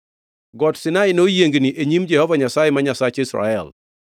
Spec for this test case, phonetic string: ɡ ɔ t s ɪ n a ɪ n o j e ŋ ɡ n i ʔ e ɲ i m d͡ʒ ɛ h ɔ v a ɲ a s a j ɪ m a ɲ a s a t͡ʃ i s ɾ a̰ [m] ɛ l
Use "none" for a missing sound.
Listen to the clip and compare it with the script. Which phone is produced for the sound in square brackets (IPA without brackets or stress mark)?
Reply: none